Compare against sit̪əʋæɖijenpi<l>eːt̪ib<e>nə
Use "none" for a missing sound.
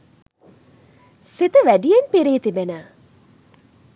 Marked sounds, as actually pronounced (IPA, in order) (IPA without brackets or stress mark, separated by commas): ɾ, e